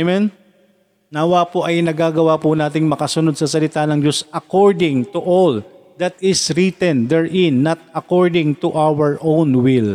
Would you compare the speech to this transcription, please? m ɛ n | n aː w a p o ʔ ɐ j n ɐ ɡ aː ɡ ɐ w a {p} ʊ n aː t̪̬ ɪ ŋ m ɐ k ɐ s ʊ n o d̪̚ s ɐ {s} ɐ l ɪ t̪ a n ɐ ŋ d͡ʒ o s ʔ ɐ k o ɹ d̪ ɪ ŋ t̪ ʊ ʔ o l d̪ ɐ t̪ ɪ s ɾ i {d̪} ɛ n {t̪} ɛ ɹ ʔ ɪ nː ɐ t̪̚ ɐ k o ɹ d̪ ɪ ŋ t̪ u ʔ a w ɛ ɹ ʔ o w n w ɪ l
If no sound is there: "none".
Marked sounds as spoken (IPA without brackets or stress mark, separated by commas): p, s, t̪, d̪